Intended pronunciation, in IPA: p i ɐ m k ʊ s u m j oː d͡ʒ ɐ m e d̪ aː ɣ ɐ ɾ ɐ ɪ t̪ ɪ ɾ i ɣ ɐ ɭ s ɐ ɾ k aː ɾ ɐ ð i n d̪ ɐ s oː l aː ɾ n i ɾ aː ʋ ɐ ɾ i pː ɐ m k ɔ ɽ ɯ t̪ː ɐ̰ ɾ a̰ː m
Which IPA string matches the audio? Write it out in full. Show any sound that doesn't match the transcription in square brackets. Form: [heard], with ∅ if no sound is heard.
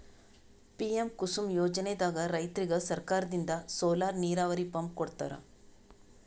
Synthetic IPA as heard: p i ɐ m k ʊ s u m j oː d͡ʒ ɐ [n] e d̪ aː ɣ ɐ ɾ ɐ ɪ t̪ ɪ ɾ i ɣ ɐ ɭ s ɐ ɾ k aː ɾ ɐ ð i n d̪ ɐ s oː l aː ɾ n [iː] ɾ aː ʋ ɐ ɾ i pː ɐ m k ɔ ɽ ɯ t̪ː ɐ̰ ɾ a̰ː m